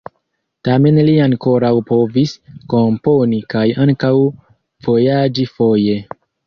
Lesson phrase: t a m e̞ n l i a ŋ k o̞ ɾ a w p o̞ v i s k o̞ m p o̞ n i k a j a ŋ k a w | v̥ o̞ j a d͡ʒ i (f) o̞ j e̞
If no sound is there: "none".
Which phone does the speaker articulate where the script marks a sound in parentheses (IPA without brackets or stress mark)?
f